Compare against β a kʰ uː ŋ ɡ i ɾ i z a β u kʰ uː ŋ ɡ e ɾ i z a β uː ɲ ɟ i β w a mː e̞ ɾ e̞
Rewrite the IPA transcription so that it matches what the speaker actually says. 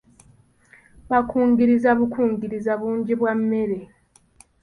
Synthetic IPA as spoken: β a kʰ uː ŋ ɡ i ɾ i z a β u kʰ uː ŋ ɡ i ɾ i z a β uː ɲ ɟ i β w a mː e̞ ɾ e̞